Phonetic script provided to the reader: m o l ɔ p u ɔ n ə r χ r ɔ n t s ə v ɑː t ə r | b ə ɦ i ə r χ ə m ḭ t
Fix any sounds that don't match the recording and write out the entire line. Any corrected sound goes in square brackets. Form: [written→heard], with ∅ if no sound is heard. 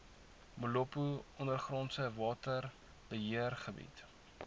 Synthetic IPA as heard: m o l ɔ p u ɔ n ə r χ r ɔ n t s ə v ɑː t ə r | b ə ɦ i ə r χ ə [m→b] ḭ t